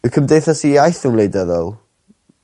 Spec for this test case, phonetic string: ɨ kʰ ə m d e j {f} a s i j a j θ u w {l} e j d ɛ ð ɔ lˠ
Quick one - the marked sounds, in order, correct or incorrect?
incorrect, correct

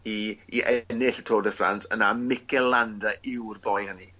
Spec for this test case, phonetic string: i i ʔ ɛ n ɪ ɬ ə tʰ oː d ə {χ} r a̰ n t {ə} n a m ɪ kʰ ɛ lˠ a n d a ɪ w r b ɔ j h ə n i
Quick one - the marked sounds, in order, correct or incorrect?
incorrect, correct

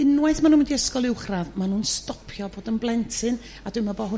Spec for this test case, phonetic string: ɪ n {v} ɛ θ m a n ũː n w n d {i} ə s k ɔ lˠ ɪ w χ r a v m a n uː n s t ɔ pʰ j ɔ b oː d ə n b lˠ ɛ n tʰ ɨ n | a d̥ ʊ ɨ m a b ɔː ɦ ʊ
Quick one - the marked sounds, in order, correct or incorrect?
incorrect, correct

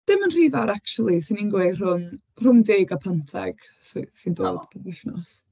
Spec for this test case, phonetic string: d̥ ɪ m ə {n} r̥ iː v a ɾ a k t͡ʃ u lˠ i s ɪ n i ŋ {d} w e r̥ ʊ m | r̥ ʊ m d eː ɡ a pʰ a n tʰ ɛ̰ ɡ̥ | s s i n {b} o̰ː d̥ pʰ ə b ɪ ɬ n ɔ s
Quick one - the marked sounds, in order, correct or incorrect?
correct, incorrect, incorrect

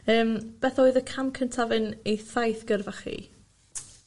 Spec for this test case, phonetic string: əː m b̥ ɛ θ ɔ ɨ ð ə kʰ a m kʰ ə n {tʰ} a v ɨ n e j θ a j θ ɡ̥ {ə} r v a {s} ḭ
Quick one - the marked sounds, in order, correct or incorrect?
correct, correct, incorrect

